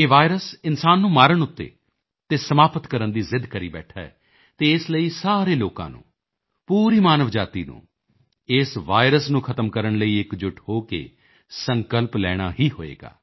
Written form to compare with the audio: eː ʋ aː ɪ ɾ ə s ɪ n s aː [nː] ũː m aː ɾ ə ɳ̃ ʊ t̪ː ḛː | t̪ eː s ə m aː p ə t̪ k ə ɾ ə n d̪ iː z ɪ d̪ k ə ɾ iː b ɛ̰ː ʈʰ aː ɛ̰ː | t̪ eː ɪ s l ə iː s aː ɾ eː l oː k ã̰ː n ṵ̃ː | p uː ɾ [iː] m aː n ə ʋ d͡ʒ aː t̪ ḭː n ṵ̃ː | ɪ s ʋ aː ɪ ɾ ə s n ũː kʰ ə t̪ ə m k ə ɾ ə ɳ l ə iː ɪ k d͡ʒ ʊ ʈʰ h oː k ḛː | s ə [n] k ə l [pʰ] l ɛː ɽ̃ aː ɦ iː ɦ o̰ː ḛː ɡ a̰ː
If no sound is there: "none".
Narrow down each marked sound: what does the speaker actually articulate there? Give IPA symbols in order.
nː, iː, ŋ, p

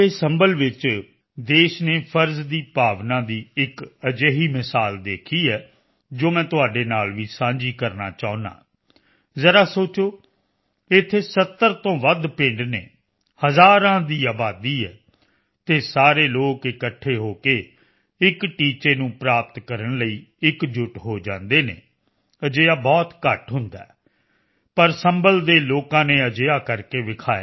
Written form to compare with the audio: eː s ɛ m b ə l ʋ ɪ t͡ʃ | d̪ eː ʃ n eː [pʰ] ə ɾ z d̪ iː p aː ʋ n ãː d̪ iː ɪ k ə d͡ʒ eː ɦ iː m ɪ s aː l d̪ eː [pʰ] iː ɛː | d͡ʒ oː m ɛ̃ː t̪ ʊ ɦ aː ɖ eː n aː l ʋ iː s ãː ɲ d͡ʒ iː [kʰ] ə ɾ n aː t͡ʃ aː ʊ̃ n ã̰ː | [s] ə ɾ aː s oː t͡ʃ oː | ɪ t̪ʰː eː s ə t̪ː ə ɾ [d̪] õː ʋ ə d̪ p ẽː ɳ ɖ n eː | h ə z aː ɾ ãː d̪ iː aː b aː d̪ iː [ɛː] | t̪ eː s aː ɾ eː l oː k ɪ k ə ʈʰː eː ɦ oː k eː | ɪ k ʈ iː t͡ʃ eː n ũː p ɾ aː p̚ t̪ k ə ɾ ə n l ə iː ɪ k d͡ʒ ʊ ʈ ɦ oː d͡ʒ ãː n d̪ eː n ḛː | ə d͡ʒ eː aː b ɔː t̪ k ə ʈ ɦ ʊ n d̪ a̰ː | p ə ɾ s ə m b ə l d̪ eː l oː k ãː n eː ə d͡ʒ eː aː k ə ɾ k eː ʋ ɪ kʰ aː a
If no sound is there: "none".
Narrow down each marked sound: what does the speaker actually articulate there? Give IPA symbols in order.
pʰ, kʰ, k, z, t̪, ɛː

